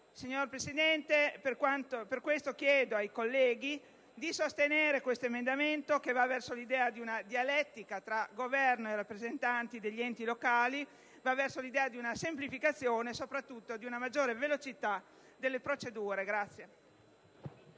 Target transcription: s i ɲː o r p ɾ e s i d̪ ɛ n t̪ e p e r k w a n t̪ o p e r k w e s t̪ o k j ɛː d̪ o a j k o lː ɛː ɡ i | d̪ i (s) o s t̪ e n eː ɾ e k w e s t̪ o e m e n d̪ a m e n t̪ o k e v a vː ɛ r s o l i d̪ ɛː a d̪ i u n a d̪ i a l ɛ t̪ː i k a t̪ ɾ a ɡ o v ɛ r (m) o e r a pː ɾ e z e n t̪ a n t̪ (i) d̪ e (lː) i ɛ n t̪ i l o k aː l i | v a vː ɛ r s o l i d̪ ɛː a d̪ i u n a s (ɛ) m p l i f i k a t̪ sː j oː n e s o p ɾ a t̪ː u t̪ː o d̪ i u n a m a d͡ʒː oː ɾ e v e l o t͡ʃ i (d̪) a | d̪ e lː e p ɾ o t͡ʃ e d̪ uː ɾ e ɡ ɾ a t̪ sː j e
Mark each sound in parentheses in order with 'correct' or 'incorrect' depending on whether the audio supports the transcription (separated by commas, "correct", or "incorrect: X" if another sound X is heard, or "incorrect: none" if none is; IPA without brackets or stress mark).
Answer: correct, incorrect: n, correct, incorrect: ʎː, incorrect: e, incorrect: t̪